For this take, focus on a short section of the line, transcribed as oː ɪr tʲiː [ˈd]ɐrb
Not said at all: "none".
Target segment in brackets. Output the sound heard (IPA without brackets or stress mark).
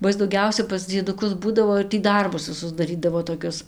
d